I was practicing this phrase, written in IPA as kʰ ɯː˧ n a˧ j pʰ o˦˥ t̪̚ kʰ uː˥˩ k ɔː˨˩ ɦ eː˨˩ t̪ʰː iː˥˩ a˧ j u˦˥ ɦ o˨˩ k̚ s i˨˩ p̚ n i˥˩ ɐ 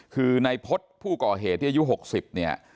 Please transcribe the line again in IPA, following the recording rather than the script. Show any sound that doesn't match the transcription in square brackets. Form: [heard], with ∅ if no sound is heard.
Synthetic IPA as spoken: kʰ ɯː˧ n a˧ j pʰ o˦˥ t̪̚ [pʰ] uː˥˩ k ɔː˨˩ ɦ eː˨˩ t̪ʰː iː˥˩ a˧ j u˦˥ ɦ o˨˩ k̚ s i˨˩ p̚ n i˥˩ ɐ